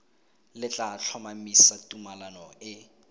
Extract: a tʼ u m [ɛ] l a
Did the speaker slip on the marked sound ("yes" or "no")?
yes